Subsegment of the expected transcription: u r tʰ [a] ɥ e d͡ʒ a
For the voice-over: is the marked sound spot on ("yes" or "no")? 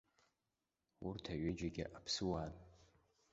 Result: yes